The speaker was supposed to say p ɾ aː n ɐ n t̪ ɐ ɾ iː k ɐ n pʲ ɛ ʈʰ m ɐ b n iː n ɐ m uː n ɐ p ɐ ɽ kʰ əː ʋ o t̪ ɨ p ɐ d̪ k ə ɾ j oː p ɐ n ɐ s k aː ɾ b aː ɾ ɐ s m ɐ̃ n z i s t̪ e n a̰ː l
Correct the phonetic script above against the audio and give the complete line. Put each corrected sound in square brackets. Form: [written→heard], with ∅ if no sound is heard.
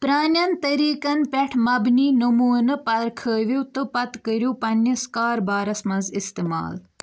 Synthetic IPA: p ɾ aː n ɐ n t̪ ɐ ɾ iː k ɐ n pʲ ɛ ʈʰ m ɐ b n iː n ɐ m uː n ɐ p ɐ [ɽ→ɾ] kʰ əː ʋ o t̪ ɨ p ɐ [d̪→t̪] k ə ɾ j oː p ɐ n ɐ s k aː ɾ b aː ɾ ɐ s m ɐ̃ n z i s t̪ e [n→m] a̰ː l

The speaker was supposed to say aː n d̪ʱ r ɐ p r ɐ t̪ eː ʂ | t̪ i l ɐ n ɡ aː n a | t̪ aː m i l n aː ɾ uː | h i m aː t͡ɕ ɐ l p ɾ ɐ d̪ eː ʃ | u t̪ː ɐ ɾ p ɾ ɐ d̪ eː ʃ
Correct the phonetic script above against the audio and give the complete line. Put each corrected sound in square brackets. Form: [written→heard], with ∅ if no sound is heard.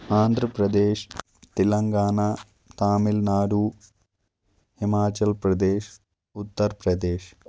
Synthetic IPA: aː n d̪ʱ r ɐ p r ɐ [t̪→d̪] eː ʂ | t̪ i l ɐ [n→ŋ] ɡ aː n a | t̪ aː m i l n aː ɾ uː | h i m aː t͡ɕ ɐ l p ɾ ɐ d̪ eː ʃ | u t̪ː ɐ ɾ p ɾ ɐ d̪ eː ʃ

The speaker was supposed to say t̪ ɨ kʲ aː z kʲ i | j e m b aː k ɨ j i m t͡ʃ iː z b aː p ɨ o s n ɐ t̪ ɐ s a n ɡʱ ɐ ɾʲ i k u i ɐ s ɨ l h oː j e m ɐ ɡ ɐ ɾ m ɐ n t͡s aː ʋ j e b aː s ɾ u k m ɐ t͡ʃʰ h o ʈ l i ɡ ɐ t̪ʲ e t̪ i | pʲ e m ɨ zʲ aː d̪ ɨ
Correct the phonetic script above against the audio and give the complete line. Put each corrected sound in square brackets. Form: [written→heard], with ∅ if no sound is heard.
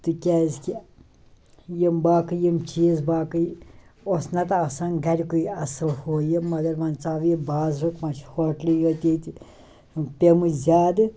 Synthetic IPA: t̪ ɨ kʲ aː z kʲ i | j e m b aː k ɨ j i m t͡ʃ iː z b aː [p→k] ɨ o s n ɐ t̪ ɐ s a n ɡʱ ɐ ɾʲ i k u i ɐ s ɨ l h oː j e m ɐ ɡ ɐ ɾ m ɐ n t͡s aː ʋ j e b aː [s→z] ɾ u k m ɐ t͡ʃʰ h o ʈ l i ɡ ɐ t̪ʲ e t̪ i | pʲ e m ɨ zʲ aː d̪ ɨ

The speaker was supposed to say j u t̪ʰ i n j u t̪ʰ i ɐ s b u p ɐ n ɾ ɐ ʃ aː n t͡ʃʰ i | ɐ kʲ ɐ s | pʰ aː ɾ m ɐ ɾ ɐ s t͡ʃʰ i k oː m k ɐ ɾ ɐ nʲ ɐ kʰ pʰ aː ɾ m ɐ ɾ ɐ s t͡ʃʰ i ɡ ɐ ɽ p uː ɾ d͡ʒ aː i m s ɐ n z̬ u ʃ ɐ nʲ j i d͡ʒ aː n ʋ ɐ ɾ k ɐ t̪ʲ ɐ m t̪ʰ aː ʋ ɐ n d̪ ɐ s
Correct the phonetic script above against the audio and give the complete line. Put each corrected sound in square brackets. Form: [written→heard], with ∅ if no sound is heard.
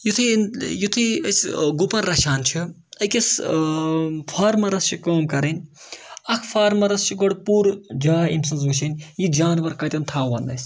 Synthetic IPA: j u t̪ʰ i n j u t̪ʰ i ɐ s [b→ɡ] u p ɐ n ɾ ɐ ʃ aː n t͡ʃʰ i | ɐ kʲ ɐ s | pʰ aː ɾ m ɐ ɾ ɐ s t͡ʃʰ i k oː m k ɐ ɾ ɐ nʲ ɐ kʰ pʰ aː ɾ m ɐ ɾ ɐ s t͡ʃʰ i ɡ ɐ ɽ p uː ɾ d͡ʒ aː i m s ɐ n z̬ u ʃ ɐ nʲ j i d͡ʒ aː n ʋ ɐ ɾ k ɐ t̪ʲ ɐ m t̪ʰ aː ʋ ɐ n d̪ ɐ s

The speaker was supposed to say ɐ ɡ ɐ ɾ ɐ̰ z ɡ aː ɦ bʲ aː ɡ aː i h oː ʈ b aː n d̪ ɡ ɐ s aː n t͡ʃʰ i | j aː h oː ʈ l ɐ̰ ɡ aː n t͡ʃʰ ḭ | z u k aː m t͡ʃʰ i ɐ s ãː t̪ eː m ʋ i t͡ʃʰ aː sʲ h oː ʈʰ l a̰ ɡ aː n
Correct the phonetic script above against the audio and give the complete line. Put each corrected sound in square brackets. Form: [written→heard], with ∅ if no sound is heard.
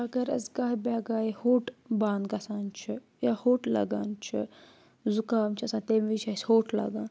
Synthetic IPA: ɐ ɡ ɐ ɾ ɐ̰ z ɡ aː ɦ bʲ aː ɡ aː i h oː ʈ b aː n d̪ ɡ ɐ s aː n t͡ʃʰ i | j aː h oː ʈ l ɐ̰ ɡ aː n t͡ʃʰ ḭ | z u k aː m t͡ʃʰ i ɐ s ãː t̪ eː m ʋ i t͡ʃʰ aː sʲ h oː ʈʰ l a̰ ɡ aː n

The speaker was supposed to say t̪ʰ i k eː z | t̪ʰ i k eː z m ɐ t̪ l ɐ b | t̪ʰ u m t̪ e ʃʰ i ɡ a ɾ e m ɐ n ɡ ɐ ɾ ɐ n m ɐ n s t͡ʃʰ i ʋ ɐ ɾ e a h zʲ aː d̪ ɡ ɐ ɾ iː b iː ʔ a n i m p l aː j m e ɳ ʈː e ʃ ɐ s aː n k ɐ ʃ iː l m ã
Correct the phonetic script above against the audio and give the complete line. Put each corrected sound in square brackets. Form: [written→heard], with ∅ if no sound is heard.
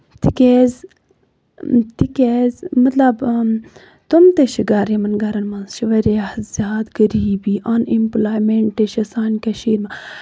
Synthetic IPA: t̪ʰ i k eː z | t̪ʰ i k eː z m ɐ t̪ l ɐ b | [t̪ʰ→t̪] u m t̪ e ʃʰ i ɡ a ɾ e m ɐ n ɡ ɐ ɾ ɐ n m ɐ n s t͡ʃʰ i ʋ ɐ ɾ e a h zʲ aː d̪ ɡ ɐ ɾ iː b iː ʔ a n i m p l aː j m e ɳ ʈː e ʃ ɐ s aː n k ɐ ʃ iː [l→ɾ] m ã

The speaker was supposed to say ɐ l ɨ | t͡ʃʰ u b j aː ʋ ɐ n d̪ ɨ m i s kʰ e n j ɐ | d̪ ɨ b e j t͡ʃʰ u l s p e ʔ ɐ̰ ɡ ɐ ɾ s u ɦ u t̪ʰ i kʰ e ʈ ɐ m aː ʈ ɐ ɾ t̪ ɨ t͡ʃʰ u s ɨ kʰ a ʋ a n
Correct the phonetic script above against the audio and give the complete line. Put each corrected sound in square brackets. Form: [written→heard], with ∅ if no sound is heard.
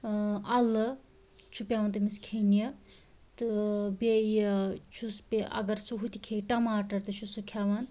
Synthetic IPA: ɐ l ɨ | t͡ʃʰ u [b→p] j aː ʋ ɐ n [d̪→t̪] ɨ m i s kʰ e n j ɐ | [d̪→t̪] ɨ b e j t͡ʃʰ u [l→∅] s p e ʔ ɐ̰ ɡ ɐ ɾ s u ɦ u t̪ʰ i kʰ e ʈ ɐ m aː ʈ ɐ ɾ t̪ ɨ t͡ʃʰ u s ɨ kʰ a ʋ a n

